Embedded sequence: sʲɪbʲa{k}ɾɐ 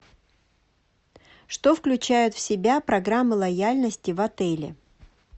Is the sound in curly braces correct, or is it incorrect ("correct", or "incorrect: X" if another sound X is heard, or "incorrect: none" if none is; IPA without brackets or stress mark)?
incorrect: p